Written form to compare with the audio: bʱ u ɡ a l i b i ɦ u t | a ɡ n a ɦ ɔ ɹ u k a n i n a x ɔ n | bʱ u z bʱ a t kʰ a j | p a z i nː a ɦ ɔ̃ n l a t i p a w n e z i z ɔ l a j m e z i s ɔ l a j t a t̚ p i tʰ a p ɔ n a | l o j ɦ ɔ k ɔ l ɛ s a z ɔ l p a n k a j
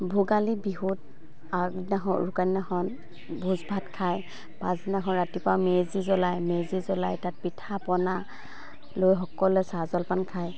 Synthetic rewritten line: bʱ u ɡ a l i b i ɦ u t | a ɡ n a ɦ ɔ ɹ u k a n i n a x ɔ n | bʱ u z bʱ a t kʰ a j | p a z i n a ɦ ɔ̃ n ɹ a t i p a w m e z i z ɔ l a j m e z i z ɔ l a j t a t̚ p i tʰ a p ɔ n a | l o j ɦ ɔ k ɔ l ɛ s a z ɔ l p a n kʰ a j